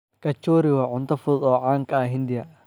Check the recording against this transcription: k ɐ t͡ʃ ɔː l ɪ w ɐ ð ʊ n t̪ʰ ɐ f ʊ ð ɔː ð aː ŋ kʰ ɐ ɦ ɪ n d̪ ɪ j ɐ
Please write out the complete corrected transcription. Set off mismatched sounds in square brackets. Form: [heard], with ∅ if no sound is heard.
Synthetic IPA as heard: k ɐ t͡ʃ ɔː [ɾ] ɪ w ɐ [ʕ] ʊ n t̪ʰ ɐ f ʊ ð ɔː [ʕ] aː ŋ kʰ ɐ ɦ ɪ n d̪ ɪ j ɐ